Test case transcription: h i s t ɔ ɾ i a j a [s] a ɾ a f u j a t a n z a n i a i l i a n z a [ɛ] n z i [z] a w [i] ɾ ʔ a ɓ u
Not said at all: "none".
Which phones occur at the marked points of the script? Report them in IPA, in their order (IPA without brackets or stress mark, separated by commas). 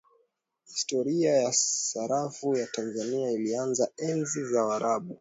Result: s, ɛ, z, a